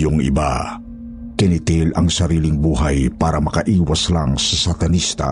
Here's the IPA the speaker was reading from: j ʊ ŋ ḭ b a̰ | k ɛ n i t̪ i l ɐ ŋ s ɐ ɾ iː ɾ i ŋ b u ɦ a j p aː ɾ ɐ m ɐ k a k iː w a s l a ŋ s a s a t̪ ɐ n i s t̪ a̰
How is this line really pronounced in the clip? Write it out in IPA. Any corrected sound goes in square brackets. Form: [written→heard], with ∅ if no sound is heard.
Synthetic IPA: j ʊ ŋ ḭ b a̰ | k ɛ n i t̪ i l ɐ ŋ s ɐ ɾ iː [ɾ→l] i ŋ b u ɦ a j p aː ɾ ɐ m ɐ k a [k→ʔ] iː w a s l a ŋ s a s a t̪ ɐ n i s t̪ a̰